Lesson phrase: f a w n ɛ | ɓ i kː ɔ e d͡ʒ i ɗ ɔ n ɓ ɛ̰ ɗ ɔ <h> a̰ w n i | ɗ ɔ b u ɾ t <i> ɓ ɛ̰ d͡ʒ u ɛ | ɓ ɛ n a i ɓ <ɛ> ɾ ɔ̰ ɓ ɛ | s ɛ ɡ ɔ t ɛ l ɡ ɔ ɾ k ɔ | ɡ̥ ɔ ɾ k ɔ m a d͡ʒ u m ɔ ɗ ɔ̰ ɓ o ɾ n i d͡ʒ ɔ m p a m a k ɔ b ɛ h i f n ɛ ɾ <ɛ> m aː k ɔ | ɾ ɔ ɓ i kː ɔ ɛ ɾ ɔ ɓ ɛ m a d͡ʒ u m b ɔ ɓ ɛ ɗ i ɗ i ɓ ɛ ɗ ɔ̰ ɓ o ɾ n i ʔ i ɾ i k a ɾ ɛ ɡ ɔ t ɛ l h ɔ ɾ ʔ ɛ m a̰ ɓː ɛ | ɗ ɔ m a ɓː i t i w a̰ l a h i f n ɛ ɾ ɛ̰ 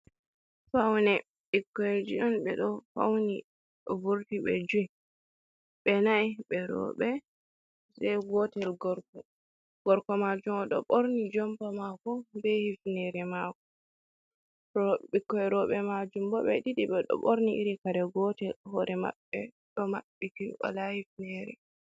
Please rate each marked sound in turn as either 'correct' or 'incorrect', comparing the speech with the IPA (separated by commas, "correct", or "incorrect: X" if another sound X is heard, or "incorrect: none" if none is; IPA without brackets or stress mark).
incorrect: f, correct, correct, correct